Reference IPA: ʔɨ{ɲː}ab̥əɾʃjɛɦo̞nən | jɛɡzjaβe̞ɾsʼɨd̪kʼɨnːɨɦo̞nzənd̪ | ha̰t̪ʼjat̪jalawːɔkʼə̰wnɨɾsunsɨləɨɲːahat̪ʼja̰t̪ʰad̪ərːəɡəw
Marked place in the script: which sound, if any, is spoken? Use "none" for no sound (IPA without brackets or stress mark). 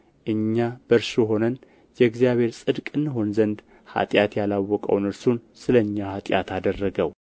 ɲː